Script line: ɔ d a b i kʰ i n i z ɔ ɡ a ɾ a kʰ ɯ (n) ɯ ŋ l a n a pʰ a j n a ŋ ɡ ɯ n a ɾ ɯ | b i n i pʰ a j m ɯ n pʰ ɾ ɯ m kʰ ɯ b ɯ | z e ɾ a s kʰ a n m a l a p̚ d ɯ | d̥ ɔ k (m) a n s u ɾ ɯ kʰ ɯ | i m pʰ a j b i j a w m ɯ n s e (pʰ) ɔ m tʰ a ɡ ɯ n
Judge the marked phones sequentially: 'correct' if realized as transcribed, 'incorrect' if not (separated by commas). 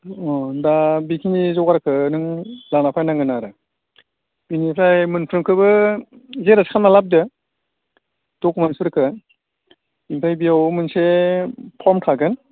correct, correct, correct